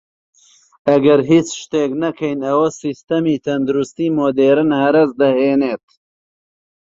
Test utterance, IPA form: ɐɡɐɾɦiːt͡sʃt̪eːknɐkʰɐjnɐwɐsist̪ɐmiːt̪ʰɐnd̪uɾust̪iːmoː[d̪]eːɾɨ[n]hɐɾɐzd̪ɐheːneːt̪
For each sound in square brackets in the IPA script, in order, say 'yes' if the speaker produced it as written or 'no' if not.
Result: yes, yes

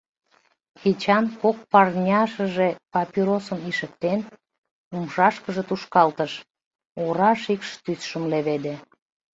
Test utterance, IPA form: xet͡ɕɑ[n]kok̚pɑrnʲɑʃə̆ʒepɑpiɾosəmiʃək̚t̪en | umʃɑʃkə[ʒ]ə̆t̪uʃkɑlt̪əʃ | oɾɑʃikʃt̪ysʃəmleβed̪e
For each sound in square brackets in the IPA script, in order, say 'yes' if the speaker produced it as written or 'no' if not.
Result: yes, yes

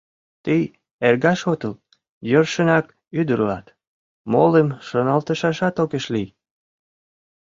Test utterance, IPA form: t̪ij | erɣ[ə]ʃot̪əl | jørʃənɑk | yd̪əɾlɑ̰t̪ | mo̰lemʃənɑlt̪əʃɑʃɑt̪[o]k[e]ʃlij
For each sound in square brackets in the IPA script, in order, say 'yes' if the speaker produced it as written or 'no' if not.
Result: no, yes, yes

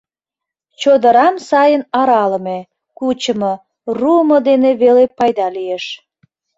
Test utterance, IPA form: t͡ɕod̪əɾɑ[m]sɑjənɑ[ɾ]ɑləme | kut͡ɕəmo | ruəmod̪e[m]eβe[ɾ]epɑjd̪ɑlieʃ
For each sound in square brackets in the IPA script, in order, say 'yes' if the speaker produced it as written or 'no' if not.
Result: yes, yes, no, no

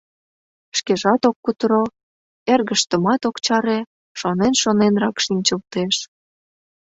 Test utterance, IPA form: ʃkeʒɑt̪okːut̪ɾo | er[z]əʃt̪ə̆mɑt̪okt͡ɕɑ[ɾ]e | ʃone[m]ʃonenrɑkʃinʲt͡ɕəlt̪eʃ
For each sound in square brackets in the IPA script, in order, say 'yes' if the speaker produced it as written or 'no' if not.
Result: no, yes, no

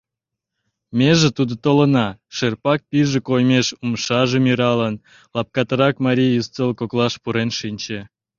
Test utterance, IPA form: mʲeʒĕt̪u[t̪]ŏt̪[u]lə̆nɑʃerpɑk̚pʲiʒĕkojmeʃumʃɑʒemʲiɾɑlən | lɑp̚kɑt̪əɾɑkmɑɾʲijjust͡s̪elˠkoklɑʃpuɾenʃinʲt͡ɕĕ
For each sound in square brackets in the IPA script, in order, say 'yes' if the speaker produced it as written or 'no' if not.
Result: no, no

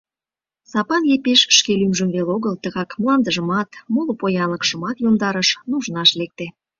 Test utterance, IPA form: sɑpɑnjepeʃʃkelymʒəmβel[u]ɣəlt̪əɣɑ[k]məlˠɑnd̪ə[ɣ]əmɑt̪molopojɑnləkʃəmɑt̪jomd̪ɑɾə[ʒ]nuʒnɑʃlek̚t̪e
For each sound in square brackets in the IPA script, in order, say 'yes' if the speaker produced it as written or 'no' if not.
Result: no, yes, no, no

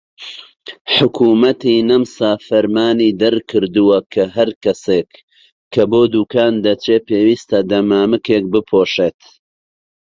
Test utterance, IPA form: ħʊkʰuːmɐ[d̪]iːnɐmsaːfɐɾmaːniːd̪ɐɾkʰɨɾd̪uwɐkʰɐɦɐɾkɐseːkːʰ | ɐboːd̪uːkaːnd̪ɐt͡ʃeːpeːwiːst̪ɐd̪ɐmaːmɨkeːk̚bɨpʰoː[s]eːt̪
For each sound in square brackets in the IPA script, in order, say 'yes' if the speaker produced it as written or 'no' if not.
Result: no, no

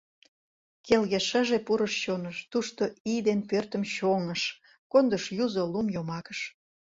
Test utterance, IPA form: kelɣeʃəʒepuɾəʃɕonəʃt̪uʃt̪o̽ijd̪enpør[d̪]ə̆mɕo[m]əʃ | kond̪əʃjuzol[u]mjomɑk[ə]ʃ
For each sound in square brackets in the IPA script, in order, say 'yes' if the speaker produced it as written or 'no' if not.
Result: no, no, yes, yes

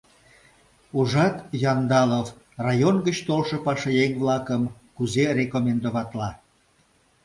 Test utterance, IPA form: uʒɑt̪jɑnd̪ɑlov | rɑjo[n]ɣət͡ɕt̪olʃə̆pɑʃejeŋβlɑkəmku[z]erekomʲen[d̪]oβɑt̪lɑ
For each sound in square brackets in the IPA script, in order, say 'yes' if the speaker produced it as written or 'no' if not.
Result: yes, yes, yes

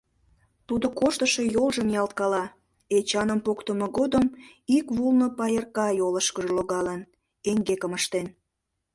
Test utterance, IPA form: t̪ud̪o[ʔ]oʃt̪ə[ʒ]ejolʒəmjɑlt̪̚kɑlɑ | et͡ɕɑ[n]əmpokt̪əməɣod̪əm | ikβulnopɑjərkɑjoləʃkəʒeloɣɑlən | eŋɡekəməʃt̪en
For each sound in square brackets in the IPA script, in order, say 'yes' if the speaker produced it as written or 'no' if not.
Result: no, no, yes

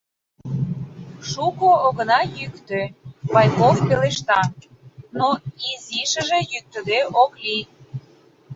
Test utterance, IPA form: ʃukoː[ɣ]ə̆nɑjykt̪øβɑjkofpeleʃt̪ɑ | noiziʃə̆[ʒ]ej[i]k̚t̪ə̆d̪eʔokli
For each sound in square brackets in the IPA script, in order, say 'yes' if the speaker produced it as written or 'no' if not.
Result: yes, yes, no

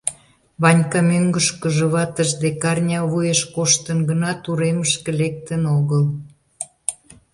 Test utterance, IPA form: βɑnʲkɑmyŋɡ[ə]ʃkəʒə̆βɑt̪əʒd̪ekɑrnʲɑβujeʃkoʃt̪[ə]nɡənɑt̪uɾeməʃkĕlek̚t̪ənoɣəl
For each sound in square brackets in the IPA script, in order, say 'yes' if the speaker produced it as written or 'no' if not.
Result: yes, yes

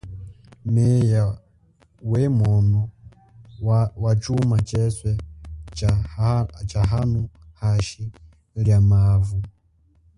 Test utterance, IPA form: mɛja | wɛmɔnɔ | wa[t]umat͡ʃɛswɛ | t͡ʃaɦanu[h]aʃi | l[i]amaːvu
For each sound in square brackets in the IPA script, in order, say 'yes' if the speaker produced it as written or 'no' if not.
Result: no, yes, no

